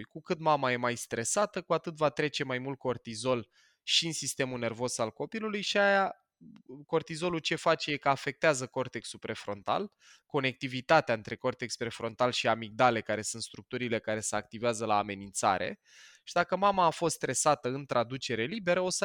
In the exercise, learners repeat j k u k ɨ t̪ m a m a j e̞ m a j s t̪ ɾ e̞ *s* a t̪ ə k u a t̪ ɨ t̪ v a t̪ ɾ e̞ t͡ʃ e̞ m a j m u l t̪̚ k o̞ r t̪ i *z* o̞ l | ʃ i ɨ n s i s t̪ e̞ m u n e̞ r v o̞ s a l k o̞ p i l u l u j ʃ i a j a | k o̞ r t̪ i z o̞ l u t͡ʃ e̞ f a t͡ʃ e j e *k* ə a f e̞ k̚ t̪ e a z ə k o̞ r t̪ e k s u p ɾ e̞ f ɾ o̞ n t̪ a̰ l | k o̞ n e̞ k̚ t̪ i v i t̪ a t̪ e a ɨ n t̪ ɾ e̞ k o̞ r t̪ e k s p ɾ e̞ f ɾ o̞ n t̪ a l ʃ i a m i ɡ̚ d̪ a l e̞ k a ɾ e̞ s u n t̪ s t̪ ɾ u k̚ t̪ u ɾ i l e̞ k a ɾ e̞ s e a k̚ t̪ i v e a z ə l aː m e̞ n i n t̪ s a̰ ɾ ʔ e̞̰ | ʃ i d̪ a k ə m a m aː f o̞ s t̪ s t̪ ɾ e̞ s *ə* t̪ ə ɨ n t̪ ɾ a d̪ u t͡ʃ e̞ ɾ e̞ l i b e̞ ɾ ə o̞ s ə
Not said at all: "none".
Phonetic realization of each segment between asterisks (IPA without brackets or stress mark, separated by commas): s, z, k, a